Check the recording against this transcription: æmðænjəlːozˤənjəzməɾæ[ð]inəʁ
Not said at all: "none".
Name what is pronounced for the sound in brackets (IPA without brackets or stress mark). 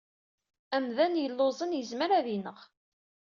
ð